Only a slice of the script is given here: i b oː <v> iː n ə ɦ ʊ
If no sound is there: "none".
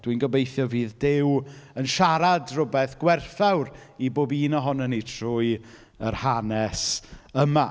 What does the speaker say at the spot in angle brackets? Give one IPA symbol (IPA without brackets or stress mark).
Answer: b